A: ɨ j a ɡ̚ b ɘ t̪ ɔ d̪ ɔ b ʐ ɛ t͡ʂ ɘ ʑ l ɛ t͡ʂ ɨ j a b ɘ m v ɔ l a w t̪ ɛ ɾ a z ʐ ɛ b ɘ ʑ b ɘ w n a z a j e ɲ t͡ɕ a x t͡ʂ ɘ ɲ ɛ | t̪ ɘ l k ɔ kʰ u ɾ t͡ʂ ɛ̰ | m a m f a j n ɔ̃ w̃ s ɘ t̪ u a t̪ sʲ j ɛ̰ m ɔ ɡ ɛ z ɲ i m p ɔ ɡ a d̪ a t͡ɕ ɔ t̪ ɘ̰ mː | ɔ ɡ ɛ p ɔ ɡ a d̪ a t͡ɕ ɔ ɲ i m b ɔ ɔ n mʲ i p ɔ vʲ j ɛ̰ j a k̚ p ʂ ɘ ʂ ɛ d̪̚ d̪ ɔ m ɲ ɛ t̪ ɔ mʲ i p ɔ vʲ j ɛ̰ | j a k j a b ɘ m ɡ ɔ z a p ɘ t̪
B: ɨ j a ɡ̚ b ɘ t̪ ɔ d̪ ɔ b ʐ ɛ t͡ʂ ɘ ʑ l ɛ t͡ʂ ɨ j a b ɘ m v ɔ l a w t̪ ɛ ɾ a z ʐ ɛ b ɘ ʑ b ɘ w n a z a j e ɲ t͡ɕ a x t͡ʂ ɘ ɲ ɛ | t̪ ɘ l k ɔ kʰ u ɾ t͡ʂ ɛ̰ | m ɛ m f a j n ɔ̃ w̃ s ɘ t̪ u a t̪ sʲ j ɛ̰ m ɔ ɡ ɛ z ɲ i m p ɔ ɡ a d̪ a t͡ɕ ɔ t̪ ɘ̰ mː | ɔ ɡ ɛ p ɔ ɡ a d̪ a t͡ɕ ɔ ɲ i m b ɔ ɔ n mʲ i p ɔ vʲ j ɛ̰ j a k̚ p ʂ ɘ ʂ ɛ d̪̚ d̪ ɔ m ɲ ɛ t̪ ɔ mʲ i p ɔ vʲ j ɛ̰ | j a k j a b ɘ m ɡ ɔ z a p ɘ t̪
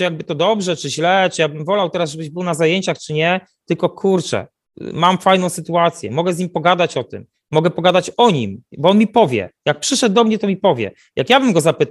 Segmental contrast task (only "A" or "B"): A